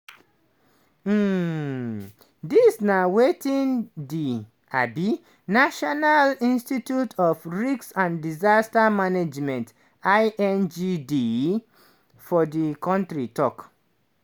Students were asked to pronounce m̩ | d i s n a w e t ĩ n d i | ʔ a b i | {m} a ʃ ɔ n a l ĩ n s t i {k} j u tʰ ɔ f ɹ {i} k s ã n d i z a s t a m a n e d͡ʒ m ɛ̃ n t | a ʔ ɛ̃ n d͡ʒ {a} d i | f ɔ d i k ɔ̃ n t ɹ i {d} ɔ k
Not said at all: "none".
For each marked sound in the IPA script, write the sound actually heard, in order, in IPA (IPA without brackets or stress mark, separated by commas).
n, t, i, i, t